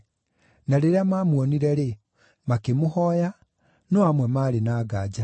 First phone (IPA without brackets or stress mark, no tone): n